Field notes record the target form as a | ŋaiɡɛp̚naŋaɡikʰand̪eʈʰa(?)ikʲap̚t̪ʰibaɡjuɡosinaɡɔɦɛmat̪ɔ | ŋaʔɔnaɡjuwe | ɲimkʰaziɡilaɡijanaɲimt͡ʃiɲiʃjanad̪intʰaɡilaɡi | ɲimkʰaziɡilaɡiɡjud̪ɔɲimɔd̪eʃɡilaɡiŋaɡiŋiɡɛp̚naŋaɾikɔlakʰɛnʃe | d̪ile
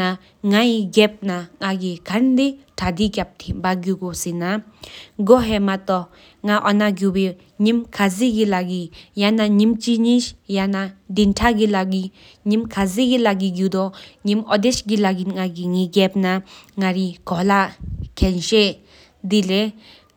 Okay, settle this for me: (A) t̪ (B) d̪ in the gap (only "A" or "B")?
B